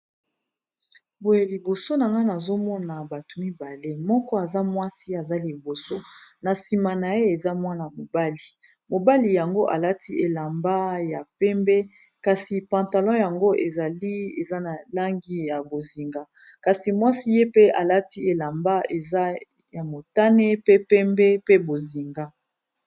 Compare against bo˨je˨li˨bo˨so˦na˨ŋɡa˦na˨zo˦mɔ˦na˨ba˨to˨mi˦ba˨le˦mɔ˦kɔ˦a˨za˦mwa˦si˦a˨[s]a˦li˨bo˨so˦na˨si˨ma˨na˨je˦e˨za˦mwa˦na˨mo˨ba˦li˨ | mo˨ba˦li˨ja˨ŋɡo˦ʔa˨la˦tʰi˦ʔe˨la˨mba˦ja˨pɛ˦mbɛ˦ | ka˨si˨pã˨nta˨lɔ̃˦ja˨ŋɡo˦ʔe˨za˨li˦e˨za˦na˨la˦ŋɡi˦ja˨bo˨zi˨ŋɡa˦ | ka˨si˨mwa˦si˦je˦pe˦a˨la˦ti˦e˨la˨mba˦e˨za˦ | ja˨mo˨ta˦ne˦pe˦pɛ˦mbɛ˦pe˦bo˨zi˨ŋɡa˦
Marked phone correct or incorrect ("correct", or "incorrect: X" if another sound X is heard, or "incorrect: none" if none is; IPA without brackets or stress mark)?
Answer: incorrect: z